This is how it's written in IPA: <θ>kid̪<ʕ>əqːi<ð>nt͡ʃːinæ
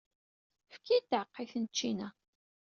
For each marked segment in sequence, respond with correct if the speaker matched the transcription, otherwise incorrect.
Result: incorrect: f, correct, incorrect: θ

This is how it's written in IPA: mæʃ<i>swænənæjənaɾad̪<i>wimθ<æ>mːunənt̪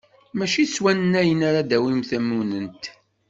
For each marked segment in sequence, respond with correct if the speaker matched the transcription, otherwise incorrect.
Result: correct, incorrect: æ, correct

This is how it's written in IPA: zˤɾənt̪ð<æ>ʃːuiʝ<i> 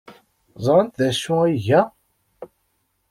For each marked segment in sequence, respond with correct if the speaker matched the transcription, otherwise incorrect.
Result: correct, incorrect: æ

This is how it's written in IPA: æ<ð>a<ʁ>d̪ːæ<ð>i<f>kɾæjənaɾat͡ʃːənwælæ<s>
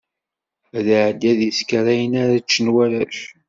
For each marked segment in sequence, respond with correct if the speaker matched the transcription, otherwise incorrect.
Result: correct, incorrect: ʕ, correct, incorrect: s, incorrect: ʃ

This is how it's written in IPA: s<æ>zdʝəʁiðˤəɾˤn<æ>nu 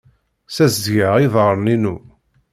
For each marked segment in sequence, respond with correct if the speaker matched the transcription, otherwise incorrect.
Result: correct, incorrect: i

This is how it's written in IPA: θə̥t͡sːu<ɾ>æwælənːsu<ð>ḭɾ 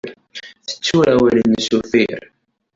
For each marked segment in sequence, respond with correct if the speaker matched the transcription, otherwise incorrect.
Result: correct, incorrect: θ

